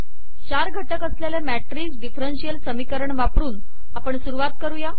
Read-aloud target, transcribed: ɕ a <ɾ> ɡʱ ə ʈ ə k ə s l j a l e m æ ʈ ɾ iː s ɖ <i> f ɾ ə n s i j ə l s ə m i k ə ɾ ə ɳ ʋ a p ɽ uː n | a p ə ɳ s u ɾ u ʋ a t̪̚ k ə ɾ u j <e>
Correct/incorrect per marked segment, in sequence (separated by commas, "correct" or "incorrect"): correct, correct, incorrect